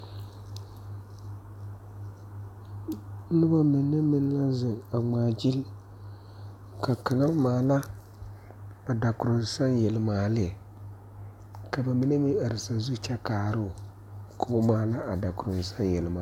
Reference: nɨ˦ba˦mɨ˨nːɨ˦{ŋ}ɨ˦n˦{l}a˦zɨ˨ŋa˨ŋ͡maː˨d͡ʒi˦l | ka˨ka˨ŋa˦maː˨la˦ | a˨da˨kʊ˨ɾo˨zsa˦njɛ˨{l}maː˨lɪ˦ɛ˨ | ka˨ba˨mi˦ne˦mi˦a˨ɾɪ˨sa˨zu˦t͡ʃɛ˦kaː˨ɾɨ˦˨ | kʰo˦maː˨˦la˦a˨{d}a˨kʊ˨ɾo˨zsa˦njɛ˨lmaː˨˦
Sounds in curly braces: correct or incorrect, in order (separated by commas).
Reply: incorrect, correct, correct, correct